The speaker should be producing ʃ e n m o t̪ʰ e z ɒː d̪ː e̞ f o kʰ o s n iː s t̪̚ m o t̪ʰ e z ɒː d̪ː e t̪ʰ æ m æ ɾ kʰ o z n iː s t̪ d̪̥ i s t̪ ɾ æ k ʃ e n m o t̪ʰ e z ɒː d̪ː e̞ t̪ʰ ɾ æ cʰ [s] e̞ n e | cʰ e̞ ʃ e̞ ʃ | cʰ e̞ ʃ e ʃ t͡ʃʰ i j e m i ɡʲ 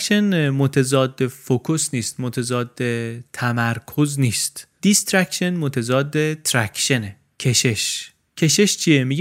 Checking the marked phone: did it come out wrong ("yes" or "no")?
yes